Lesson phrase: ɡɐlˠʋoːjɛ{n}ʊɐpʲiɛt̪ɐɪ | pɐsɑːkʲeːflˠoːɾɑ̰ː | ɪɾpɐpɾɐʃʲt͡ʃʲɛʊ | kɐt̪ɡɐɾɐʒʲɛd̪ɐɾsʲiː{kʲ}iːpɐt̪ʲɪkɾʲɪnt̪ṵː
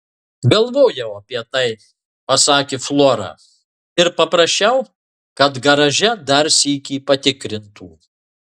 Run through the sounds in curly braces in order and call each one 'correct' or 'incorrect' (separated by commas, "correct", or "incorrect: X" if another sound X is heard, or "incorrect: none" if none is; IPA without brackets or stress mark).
incorrect: none, correct